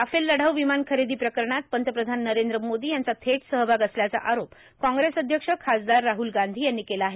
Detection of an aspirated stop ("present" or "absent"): present